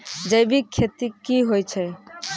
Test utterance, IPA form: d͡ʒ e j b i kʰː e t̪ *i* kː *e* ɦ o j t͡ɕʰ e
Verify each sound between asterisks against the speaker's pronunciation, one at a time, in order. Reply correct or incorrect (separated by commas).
correct, incorrect